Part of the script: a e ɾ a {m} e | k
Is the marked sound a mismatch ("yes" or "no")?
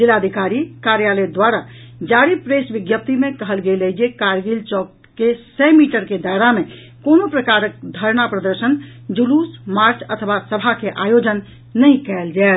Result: no